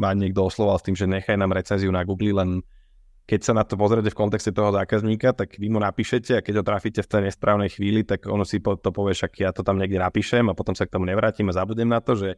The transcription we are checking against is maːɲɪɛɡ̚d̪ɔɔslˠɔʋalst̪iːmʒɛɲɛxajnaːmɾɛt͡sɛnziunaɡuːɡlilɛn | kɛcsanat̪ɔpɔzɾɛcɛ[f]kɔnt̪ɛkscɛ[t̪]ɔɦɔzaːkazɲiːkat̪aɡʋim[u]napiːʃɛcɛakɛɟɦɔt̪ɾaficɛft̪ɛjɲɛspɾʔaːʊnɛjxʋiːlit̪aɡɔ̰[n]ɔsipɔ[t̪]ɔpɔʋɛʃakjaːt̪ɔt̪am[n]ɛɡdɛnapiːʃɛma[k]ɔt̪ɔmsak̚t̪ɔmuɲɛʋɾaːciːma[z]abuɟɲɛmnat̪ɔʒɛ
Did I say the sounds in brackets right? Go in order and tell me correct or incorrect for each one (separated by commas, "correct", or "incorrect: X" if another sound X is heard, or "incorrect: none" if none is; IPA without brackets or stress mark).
correct, correct, correct, correct, correct, incorrect: ɲ, incorrect: p, correct